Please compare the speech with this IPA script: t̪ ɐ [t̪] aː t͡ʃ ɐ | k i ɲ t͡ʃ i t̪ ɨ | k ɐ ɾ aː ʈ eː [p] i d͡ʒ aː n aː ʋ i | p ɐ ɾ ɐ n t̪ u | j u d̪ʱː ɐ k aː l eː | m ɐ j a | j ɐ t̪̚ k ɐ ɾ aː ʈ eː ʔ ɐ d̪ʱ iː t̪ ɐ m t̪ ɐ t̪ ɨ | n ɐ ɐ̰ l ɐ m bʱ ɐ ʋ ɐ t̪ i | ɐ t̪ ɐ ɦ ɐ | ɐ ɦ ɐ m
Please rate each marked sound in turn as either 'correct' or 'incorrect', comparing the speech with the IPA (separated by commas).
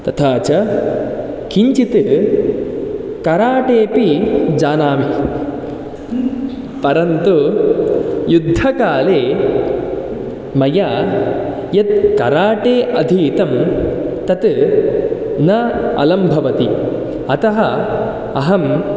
incorrect, correct